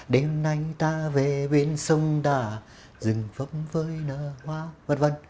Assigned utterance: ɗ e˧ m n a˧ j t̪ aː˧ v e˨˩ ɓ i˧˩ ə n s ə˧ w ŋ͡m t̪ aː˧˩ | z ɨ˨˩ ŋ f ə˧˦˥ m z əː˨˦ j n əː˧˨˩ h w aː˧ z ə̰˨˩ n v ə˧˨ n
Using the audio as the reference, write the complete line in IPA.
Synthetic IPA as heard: ɗ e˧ m n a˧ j t̪ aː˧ v e˨˩ ɓ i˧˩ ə n s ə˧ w ŋ͡m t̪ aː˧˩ | z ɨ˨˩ ŋ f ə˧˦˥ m v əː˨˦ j n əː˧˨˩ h w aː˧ v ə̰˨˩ n v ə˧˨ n